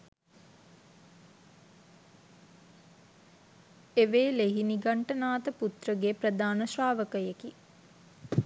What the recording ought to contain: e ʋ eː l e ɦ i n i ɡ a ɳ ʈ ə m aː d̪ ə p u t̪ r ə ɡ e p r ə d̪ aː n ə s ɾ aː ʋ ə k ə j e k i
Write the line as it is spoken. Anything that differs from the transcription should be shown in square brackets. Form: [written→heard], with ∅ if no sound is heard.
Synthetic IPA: e ʋ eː l e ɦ i n i ɡ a ɳ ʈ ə [m→n] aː [d̪→t̪] ə p u t̪ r ə ɡ e p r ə d̪ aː n ə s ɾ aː ʋ ə k ə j e k i